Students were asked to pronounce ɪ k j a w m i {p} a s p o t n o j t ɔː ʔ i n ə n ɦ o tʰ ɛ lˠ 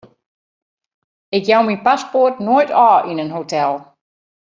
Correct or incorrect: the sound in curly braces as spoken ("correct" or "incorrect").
correct